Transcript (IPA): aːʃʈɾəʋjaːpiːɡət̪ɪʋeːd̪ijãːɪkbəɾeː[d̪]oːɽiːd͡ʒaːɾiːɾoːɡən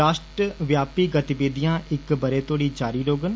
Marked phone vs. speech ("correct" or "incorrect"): incorrect